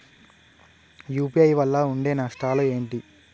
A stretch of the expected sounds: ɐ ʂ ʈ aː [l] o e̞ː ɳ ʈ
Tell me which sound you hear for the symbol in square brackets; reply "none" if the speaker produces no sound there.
l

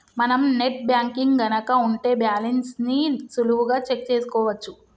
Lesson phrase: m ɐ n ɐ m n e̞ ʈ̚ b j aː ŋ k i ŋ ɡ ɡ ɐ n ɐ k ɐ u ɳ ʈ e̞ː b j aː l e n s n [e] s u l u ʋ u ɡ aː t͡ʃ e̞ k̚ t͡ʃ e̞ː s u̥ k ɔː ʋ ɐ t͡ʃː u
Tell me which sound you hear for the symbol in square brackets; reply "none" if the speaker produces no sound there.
i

